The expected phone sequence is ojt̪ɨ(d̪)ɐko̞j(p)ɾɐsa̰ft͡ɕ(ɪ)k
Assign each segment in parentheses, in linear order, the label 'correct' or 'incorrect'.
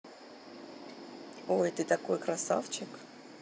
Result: incorrect, incorrect, correct

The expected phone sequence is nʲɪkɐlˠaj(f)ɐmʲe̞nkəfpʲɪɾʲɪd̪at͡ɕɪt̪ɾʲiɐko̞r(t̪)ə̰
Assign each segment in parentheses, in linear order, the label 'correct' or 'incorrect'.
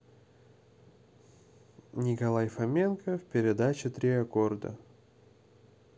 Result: correct, incorrect

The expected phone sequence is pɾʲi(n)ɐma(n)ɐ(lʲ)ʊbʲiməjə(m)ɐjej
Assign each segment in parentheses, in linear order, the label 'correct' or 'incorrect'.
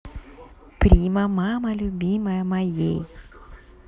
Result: incorrect, incorrect, correct, correct

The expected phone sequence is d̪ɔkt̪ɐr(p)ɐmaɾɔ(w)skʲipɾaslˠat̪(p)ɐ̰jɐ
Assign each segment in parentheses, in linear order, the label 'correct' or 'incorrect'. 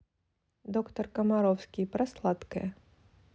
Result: incorrect, correct, incorrect

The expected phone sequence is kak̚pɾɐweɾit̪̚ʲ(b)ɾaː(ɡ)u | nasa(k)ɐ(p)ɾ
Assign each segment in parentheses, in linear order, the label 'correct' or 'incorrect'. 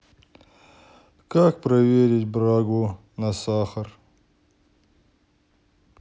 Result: correct, correct, incorrect, incorrect

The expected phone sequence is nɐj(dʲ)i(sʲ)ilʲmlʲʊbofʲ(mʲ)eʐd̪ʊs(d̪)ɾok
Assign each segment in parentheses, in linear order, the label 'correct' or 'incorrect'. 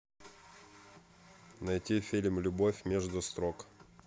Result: incorrect, incorrect, correct, incorrect

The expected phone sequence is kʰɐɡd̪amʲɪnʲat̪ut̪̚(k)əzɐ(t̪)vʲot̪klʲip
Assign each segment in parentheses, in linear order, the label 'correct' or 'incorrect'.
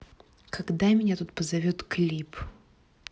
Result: incorrect, incorrect

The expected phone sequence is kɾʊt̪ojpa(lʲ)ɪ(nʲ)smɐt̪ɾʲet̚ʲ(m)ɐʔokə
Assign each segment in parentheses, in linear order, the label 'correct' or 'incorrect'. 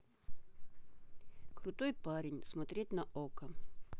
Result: incorrect, correct, incorrect

